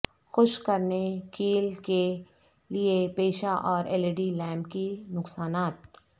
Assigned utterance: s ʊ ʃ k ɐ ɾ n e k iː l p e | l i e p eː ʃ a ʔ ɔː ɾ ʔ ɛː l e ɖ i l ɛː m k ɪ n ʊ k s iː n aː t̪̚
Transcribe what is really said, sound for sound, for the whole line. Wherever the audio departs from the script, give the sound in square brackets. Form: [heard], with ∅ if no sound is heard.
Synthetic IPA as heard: [x] ʊ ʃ k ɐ ɾ n e k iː l [k] e | l i e p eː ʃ a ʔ ɔː ɾ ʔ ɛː l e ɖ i l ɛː m k [i] n ʊ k s [aː] n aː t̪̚